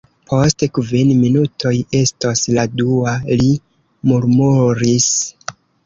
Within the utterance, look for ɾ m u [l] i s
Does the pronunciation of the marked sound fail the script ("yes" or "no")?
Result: yes